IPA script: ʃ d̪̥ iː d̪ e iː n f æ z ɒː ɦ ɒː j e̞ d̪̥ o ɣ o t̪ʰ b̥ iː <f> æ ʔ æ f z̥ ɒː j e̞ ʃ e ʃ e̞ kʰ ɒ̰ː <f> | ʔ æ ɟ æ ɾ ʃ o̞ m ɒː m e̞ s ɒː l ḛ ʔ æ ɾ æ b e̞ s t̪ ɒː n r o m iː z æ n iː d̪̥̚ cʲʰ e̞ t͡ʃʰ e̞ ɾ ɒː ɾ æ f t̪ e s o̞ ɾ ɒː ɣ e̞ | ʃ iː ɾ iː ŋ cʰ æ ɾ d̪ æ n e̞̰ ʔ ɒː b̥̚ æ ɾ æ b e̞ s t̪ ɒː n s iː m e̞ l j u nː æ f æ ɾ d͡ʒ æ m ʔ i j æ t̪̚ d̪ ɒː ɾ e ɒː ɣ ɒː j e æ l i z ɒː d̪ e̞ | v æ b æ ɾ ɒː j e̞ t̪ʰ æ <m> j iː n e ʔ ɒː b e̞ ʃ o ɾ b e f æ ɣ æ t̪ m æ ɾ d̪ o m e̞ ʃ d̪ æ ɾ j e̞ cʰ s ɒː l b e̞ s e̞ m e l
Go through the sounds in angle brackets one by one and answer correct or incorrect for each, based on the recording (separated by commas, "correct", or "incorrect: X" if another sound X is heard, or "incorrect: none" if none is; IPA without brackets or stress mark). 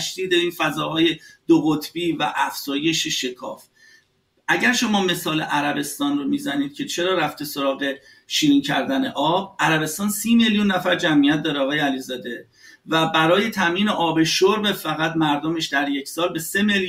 incorrect: v, correct, correct